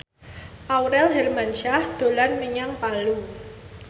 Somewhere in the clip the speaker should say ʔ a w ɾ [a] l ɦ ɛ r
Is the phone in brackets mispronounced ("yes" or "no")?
yes